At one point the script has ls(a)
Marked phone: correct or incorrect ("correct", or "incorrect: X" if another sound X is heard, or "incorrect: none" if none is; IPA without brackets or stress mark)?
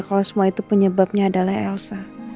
correct